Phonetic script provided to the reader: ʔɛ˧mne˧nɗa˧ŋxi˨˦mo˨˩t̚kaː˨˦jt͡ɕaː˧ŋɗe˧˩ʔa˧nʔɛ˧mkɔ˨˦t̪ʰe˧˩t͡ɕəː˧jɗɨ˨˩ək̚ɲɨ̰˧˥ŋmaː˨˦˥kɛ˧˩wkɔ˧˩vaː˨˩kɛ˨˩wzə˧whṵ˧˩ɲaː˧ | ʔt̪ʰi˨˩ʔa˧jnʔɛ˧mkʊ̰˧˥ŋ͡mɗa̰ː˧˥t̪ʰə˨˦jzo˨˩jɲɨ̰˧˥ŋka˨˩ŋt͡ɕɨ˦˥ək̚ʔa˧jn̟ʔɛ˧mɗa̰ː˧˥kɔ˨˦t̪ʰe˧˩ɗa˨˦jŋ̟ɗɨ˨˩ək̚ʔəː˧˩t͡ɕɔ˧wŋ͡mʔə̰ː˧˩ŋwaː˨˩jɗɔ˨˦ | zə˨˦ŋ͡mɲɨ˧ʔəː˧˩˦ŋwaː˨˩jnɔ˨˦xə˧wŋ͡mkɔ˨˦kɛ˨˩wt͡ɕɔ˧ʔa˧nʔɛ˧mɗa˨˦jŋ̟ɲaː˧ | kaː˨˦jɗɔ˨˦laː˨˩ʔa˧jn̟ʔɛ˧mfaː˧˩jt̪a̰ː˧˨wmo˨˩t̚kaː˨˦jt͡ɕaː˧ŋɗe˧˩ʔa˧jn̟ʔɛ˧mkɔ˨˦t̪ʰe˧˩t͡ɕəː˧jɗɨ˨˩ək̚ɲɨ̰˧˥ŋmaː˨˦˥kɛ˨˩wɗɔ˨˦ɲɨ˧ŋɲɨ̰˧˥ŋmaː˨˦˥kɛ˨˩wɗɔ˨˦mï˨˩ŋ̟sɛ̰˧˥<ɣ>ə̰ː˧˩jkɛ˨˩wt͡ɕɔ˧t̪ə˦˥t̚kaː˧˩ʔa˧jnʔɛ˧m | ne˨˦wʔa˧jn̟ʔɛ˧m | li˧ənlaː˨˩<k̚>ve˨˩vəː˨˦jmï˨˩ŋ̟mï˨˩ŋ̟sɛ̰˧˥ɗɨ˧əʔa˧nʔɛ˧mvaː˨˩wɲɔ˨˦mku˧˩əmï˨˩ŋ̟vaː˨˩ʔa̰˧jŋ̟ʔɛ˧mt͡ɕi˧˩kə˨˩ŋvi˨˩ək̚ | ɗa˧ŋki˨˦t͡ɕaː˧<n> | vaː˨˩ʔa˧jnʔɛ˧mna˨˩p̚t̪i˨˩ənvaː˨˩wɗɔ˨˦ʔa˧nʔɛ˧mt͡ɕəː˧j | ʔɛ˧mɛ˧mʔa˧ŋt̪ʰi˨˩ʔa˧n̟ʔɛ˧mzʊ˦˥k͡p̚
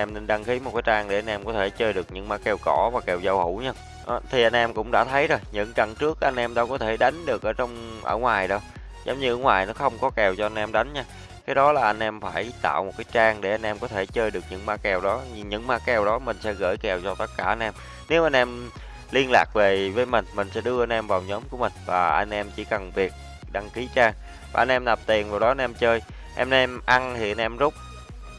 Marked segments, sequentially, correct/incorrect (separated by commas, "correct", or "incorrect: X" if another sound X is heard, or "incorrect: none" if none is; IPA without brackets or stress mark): correct, correct, incorrect: ŋ